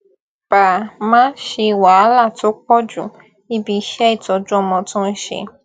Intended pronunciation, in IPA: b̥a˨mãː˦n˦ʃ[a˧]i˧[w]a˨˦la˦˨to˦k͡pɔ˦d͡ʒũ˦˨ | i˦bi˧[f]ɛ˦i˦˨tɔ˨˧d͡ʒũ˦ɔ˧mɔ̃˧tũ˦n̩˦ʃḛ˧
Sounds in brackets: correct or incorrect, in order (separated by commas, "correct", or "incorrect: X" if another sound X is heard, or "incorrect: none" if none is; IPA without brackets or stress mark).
incorrect: e˧, correct, incorrect: ʃ